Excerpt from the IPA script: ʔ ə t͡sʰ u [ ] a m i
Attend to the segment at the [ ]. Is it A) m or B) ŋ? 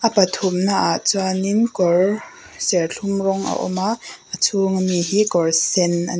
B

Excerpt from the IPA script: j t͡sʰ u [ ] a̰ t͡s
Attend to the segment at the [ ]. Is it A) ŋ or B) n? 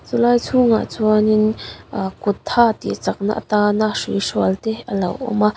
A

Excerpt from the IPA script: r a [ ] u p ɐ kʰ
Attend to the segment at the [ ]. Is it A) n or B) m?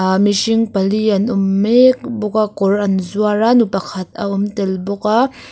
A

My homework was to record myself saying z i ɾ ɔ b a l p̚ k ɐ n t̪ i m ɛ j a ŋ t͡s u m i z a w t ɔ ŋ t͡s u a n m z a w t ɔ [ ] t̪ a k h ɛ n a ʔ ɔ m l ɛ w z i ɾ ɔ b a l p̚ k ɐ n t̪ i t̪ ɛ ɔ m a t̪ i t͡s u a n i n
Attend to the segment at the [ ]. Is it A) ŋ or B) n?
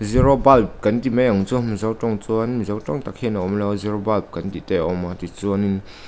A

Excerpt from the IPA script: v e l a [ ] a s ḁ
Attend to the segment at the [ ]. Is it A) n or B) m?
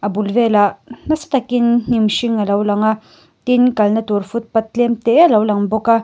A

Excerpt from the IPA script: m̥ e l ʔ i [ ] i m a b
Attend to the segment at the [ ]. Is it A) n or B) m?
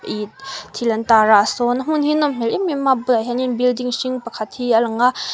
B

